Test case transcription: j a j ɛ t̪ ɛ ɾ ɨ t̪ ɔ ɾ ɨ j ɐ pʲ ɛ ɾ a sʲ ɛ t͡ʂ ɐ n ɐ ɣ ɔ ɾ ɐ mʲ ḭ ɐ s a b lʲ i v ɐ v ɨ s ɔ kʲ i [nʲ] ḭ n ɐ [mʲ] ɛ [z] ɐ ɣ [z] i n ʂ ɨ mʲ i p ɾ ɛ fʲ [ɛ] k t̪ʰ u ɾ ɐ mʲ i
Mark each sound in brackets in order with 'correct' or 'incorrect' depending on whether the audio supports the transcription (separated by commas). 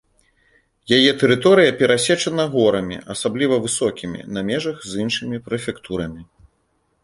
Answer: incorrect, correct, incorrect, correct, correct